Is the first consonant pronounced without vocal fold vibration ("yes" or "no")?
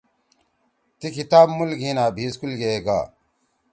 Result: yes